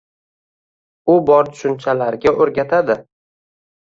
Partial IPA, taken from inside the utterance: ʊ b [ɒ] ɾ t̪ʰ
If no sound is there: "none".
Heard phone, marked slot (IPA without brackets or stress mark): ɒ